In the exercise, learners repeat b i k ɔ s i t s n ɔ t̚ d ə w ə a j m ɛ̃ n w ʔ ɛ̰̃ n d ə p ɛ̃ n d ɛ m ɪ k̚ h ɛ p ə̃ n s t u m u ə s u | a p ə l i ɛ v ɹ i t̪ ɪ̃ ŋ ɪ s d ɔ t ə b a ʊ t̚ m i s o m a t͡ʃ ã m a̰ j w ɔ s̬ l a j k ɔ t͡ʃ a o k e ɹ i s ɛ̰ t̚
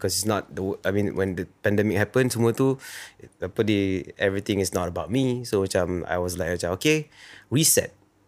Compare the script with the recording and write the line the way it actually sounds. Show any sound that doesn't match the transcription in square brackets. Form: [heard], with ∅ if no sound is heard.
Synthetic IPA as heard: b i k ɔ s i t s n ɔ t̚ d ə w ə a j m [ĩ] n w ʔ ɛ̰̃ n d ə p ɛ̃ n d ɛ m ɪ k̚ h ɛ p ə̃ n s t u m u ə [t] u | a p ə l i ɛ v ɹ i t̪ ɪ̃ ŋ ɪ s [n] ɔ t ə b a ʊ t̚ m i s o m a t͡ʃ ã m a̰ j w ɔ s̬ l a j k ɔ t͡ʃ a o k e ɹ i s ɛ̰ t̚